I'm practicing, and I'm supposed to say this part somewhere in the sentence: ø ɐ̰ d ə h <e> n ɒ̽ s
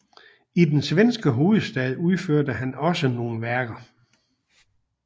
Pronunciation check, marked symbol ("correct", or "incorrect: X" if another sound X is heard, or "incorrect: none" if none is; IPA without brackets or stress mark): incorrect: æ